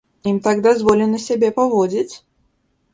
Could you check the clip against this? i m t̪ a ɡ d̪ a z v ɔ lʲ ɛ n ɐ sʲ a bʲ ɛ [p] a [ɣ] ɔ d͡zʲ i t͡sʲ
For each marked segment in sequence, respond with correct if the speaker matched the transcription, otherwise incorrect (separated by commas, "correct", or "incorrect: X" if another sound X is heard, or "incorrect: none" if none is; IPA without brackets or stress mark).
correct, incorrect: v